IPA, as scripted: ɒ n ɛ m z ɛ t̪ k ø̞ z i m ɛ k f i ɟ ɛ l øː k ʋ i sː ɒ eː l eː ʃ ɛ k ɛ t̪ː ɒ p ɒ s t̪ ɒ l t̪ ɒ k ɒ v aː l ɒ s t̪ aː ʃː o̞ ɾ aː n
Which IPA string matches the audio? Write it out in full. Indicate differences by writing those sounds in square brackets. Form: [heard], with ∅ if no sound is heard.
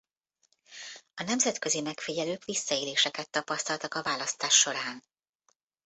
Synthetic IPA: ɒ n ɛ m z ɛ t̪ k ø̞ z i m ɛ k f i ɟ ɛ l øː k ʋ i sː ɒ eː l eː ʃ ɛ k ɛ t̪ː ɒ p ɒ s t̪ ɒ l t̪ ɒ k ɒ v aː l ɒ s t̪ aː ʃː o̞ ɾ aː n